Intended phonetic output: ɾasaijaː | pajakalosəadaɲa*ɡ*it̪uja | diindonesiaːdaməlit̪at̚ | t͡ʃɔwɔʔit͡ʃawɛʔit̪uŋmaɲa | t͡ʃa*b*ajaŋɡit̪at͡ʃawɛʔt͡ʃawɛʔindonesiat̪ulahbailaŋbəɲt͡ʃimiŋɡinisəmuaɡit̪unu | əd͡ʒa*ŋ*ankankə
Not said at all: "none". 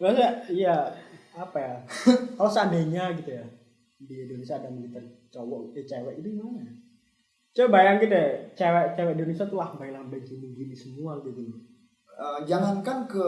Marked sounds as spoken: ɡ, b, ŋ

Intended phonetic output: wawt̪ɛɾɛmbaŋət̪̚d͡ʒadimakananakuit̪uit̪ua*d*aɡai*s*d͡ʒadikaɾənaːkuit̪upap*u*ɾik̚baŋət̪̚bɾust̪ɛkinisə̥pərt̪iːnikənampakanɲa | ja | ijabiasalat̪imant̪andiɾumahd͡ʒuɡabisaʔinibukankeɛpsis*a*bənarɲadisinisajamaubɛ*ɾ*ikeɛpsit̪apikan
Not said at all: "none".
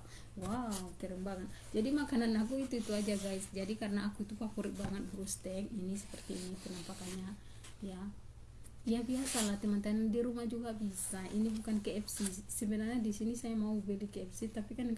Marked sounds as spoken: d͡ʒ, s, u, ə, l

